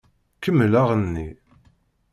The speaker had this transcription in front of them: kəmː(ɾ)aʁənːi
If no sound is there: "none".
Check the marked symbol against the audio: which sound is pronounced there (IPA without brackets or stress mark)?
l